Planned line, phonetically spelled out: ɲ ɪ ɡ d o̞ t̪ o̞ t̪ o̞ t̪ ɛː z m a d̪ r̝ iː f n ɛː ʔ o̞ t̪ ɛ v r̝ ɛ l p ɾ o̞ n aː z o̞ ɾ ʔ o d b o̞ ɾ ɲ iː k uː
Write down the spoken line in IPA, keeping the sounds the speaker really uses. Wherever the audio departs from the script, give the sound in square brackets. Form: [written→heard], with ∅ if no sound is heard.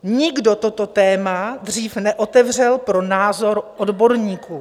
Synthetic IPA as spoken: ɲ ɪ ɡ d o̞ t̪ o̞ t̪ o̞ t̪ ɛː [z→∅] m a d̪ r̝ iː f n [ɛː→ɛ] ʔ o̞ t̪ ɛ v r̝ ɛ l p ɾ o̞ n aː z o̞ ɾ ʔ o d b o̞ ɾ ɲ iː k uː